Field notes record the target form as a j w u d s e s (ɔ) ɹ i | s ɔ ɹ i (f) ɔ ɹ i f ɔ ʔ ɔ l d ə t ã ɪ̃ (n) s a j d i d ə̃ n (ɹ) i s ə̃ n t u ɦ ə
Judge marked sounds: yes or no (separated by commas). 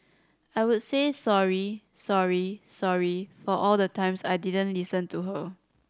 yes, no, no, no